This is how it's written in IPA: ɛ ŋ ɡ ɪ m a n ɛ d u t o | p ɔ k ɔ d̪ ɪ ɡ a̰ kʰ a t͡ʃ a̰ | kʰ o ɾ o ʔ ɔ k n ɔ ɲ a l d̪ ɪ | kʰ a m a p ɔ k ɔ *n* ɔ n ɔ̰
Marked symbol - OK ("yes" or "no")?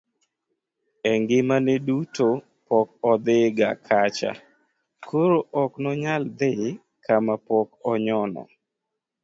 no